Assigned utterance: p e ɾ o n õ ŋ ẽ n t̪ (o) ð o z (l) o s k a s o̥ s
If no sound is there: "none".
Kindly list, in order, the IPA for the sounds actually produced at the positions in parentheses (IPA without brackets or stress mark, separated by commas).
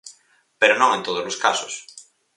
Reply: o, l